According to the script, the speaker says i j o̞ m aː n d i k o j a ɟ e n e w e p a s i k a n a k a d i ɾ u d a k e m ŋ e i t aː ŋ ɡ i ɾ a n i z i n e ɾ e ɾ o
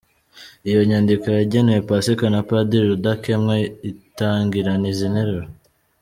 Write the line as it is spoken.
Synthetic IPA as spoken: i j o̞ ɲ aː n d i k o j a ɟ e n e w e p a s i k a n a p a d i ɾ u d a k e m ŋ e i t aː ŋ ɡ i ɾ a n i z i n e ɾ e ɾ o